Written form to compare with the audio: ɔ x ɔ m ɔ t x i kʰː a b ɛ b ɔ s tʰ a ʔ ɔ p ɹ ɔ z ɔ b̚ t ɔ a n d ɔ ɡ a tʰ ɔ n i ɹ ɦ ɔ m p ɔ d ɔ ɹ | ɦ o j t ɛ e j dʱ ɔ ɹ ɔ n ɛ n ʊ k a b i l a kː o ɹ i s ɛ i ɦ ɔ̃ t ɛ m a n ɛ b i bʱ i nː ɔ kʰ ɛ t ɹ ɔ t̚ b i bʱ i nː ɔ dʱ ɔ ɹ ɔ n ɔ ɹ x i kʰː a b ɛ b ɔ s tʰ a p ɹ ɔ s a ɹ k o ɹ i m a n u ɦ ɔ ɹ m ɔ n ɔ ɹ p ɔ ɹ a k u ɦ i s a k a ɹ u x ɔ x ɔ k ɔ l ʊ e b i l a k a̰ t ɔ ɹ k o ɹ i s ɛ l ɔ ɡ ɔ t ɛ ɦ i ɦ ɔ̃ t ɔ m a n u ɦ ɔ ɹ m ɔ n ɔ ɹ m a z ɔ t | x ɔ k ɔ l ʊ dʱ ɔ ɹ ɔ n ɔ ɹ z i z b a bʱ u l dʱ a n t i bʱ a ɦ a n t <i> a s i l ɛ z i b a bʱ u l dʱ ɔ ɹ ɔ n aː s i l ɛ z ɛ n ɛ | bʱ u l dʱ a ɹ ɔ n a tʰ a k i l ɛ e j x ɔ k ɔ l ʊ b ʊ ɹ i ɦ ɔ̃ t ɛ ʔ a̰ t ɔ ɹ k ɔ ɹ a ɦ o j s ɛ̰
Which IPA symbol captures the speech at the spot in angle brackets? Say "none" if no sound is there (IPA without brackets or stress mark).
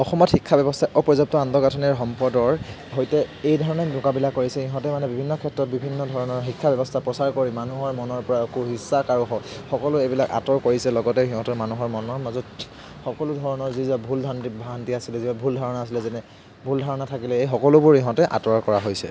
i